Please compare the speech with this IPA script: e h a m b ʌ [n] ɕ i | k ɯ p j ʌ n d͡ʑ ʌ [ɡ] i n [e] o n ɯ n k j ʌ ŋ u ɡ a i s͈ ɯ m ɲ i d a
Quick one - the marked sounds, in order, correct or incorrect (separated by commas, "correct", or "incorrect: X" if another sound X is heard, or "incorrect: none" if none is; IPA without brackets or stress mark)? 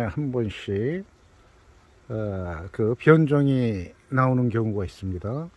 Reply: correct, incorrect: ŋ, incorrect: a